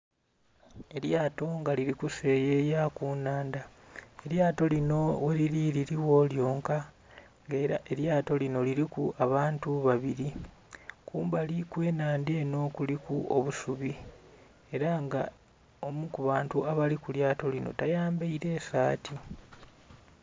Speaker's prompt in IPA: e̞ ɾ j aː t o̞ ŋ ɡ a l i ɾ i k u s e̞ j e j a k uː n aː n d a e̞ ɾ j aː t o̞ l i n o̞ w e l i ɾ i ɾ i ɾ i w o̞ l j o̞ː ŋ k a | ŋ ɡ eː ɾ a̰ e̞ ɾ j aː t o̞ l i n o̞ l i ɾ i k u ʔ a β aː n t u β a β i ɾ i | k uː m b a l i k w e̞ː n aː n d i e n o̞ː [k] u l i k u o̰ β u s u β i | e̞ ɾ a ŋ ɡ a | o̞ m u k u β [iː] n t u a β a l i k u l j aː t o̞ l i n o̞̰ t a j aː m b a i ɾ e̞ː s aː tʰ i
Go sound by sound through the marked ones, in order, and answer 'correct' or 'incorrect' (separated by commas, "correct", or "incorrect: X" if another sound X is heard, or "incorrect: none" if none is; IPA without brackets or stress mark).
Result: correct, incorrect: aː